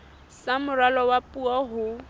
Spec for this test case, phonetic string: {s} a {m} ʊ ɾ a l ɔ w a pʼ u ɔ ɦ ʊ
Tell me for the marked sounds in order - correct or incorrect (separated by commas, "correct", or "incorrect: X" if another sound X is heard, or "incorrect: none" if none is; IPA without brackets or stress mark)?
correct, correct